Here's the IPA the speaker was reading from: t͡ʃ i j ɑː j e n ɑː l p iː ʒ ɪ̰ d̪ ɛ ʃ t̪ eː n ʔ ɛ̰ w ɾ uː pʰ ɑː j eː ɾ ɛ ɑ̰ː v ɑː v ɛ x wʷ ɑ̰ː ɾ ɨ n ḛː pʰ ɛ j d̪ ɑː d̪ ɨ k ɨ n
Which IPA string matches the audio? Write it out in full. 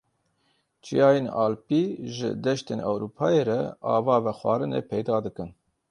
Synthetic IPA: t͡ʃ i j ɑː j e n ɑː l p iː ʒ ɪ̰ d̪ ɛ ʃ t̪ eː n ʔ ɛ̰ w ɾ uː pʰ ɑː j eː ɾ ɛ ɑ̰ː v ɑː v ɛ x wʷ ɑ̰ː ɾ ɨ n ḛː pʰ ɛ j d̪ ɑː d̪ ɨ k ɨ n